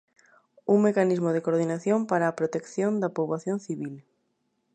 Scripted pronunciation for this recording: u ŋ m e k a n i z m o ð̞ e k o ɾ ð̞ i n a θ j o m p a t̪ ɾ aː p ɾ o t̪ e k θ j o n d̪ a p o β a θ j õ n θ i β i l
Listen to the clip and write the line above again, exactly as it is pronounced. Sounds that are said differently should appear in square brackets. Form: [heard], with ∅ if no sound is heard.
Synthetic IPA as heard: u ŋ m e k a n i z m o ð̞ e k o ɾ ð̞ i n a θ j o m p a [∅] ɾ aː p ɾ o t̪ e k θ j o n d̪ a p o β a θ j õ n θ i β i l